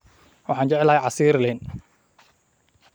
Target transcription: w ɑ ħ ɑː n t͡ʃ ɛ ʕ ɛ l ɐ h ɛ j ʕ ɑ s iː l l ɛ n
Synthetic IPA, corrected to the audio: w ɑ ħ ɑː n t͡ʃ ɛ ʕ ɛ l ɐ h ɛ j ʕ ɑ s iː ɾ l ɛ n